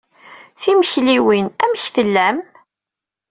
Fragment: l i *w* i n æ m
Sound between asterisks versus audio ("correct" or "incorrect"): correct